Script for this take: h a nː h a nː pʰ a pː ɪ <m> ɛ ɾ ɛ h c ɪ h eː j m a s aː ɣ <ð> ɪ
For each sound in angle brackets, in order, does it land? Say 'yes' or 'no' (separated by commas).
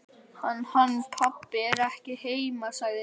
no, yes